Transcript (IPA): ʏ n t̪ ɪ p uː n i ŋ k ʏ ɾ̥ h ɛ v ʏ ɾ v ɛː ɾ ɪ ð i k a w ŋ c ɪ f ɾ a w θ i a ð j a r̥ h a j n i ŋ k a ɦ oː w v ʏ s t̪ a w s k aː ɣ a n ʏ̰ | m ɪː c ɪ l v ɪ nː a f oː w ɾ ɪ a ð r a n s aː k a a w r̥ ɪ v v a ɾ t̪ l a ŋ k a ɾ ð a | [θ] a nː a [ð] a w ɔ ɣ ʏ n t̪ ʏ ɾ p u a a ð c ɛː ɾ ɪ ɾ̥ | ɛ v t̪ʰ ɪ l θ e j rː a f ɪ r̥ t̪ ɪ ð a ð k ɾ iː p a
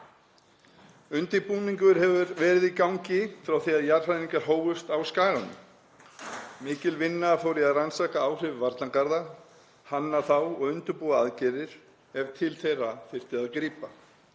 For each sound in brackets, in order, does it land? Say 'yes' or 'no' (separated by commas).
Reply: no, no